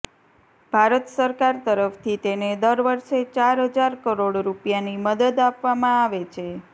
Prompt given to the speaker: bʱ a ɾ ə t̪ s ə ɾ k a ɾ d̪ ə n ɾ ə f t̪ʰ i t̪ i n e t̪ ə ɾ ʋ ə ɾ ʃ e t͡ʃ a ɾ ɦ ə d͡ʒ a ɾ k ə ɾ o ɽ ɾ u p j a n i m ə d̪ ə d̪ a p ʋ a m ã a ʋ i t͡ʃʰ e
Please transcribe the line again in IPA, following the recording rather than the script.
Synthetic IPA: bʱ a ɾ ə t̪ s ə ɾ k a ɾ t̪ ə ɾ ə f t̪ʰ i t̪ e n e d̪ ə ɾ ʋ ə ɾ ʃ e t͡ʃ a ɾ ɦ ə d͡ʒ a ɾ k ə ɾ o ɽ ɾ u p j a n i m ə d̪ ə d̪ a p ʋ a m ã a ʋ e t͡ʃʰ e